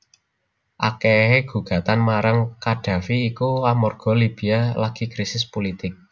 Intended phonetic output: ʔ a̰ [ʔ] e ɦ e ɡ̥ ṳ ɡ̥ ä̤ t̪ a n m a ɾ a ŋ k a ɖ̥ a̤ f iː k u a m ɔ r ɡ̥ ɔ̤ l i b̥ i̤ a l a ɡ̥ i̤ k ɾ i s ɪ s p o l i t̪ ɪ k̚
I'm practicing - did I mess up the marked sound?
yes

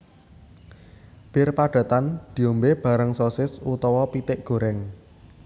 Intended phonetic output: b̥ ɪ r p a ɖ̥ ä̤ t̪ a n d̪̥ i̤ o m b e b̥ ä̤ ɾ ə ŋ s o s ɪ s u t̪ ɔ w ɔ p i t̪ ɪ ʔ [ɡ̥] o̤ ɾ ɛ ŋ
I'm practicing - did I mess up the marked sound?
no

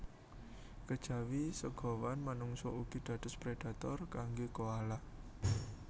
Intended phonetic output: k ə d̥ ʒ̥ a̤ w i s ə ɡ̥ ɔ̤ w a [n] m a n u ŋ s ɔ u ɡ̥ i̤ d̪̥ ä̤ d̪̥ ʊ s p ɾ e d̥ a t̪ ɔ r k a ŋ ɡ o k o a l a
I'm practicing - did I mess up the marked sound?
no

